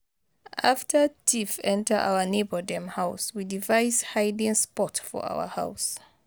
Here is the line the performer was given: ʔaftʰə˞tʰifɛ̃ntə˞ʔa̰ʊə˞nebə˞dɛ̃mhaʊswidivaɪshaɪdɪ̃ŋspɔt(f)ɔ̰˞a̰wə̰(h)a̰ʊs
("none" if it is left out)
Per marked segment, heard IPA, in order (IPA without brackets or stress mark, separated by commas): f, h